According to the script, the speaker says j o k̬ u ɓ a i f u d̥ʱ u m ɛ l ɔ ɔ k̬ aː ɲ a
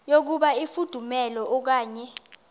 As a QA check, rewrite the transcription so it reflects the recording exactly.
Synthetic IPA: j o k̬ u ɓ a i f u d̥ʱ u m ɛ l ɔ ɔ k̬ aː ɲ ɛ